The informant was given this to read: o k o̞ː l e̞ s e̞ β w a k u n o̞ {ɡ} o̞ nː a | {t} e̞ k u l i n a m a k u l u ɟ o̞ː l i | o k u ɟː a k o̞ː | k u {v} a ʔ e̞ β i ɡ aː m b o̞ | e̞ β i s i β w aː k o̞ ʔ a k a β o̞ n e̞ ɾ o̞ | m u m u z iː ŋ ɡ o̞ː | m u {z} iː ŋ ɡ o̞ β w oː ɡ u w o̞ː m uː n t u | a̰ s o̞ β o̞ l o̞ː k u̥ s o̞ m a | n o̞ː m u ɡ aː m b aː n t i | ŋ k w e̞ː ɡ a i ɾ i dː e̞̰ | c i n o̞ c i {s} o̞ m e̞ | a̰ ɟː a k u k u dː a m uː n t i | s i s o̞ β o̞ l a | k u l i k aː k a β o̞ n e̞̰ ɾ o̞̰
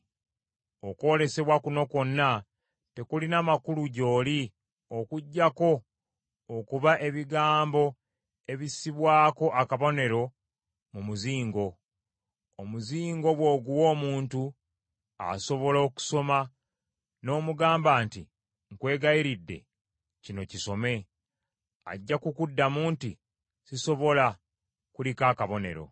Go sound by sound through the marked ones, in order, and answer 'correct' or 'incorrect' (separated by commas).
incorrect, correct, incorrect, correct, correct